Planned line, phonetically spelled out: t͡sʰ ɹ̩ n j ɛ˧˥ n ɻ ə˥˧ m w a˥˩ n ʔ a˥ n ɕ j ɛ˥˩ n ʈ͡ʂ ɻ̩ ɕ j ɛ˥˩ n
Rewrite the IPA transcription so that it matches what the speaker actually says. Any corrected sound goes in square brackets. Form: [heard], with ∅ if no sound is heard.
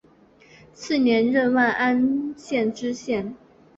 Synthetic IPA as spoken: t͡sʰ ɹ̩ n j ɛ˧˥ n ɻ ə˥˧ [n] w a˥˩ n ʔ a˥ n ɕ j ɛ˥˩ n ʈ͡ʂ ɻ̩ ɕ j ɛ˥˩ n